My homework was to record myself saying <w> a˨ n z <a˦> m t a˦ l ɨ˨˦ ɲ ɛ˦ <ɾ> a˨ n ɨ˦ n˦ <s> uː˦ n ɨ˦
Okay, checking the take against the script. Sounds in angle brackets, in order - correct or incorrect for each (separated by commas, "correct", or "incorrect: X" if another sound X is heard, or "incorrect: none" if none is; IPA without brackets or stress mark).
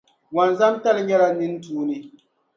correct, correct, incorrect: l, incorrect: t